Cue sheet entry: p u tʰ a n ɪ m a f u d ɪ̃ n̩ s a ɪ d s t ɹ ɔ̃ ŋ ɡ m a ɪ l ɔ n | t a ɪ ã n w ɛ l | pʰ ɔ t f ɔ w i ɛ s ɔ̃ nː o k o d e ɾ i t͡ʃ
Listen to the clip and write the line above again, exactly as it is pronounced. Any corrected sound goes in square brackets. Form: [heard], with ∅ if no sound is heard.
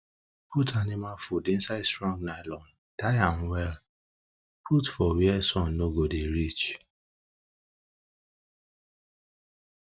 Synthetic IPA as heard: p u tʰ a n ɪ m a f u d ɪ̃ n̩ s a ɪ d s t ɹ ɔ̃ ŋ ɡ [n] a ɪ l ɔ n | t a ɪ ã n w ɛ l | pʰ [u] t f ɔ w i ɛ s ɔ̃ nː o [ɡ] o d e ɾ i t͡ʃ